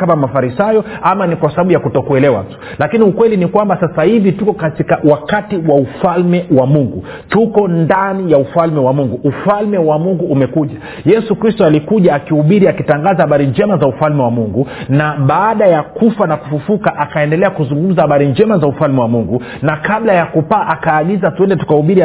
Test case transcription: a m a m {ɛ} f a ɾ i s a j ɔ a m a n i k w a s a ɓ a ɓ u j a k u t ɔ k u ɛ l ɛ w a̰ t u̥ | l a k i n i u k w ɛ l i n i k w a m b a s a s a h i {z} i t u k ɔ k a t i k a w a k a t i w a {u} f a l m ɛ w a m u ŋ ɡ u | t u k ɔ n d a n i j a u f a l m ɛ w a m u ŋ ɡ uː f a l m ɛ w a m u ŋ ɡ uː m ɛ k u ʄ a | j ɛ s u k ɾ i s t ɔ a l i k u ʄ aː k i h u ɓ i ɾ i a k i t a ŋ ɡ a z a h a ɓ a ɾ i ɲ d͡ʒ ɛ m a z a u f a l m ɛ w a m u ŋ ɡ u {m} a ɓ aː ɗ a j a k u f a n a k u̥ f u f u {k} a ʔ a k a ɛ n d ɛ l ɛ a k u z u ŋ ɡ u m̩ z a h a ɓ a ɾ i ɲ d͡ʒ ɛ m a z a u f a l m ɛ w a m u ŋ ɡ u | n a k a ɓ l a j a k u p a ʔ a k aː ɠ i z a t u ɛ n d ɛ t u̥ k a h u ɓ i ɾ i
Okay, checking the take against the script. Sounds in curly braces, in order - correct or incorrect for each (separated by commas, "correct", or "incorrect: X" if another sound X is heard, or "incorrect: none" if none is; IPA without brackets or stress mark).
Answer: incorrect: a, incorrect: v, correct, incorrect: n, correct